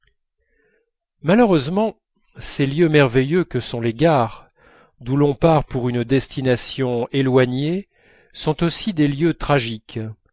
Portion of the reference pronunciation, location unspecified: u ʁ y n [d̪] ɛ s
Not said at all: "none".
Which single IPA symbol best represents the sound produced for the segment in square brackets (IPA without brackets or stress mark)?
d̪